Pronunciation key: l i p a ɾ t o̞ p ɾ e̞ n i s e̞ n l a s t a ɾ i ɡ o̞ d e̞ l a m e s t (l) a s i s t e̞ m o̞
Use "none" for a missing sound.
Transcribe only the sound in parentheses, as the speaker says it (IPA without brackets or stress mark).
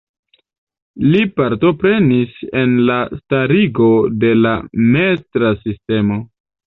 ɾ